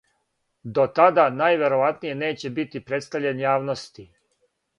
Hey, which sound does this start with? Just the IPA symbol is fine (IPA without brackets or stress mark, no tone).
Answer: d̪